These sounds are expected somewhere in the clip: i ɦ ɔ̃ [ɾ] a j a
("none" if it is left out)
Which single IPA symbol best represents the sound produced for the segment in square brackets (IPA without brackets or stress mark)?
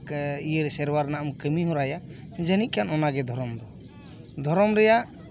ɾ